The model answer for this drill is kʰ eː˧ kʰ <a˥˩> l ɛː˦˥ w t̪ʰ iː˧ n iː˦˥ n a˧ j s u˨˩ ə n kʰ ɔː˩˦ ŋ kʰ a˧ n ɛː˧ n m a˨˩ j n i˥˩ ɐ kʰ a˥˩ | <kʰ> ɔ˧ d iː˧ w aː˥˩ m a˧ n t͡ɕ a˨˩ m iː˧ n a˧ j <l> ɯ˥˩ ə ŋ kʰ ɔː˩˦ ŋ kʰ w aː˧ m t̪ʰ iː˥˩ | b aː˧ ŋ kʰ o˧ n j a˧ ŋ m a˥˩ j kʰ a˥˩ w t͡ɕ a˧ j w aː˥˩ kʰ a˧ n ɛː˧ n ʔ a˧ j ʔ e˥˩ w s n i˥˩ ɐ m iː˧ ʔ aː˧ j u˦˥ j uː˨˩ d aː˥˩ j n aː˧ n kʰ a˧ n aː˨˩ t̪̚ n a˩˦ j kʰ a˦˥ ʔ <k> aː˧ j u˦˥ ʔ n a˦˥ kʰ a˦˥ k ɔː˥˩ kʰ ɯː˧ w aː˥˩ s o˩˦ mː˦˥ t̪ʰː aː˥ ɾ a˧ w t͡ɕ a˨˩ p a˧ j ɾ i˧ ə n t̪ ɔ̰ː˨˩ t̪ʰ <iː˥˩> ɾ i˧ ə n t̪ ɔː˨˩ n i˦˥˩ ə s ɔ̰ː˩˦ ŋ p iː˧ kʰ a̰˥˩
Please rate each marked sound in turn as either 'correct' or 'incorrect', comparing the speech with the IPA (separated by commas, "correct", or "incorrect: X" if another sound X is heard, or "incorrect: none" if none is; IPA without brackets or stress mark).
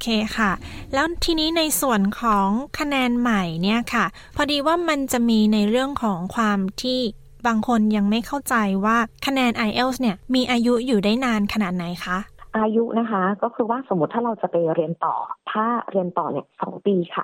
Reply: correct, incorrect: pʰ, incorrect: ɾ, incorrect: ʔ, incorrect: aː˥˩